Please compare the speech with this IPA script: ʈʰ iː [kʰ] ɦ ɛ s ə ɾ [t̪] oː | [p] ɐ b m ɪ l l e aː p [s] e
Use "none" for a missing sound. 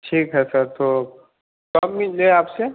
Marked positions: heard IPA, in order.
k, t̪, k, s

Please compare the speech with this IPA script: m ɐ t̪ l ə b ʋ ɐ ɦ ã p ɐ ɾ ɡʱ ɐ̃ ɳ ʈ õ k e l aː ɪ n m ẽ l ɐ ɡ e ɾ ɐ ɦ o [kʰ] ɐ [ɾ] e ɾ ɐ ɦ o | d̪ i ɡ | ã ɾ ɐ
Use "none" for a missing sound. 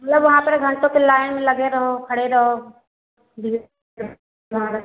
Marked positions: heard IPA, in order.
kʰ, ɽ

